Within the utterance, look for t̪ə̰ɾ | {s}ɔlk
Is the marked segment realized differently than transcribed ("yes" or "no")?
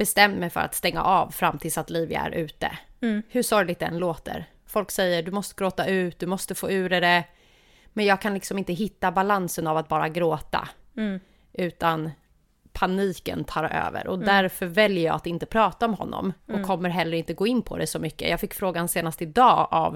yes